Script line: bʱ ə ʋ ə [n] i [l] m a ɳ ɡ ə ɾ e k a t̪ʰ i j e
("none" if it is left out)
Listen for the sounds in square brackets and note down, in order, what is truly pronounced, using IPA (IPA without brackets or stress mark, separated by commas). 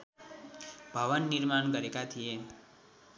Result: nː, ɾ